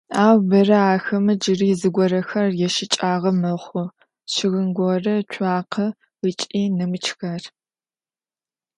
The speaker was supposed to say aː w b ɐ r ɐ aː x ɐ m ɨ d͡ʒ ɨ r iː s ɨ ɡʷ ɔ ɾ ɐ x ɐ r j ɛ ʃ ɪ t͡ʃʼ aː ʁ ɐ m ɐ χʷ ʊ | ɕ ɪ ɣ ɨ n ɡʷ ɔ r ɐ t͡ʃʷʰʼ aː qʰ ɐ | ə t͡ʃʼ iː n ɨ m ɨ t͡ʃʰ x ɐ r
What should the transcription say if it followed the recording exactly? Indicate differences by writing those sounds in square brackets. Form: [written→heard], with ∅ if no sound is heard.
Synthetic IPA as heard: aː w b ɐ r ɐ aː x ɐ m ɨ d͡ʒ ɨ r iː [s→z] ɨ ɡʷ ɔ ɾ ɐ x ɐ r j ɛ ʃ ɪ t͡ʃʼ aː ʁ ɐ m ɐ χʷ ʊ | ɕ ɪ ɣ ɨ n ɡʷ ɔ r ɐ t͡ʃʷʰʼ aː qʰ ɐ | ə t͡ʃʼ iː n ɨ m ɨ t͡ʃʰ x ɐ r